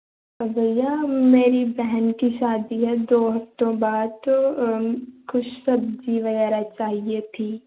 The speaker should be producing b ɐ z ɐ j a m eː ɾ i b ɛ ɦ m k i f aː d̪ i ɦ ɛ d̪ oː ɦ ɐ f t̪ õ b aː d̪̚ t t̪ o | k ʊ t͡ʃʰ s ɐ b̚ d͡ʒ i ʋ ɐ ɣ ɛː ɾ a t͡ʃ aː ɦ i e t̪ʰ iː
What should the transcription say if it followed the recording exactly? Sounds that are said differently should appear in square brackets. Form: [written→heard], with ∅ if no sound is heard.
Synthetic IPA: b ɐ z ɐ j a m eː ɾ i b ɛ ɦ [m→n] k i [f→ʃ] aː d̪ i ɦ ɛ d̪ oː ɦ ɐ f t̪ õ b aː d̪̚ t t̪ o | k ʊ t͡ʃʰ s ɐ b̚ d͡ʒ i ʋ ɐ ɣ ɛː ɾ a t͡ʃ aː ɦ i e t̪ʰ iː